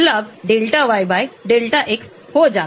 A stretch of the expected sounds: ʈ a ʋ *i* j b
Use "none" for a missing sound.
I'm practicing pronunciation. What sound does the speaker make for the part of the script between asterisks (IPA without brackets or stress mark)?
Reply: a